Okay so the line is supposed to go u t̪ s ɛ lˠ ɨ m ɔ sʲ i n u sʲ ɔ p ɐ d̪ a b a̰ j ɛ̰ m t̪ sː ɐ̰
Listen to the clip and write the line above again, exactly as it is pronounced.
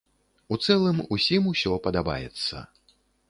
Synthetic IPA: u t̪ s ɛ lˠ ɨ m u sʲ i m u sʲ ɔ p ɐ d̪ a b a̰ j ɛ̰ t̪ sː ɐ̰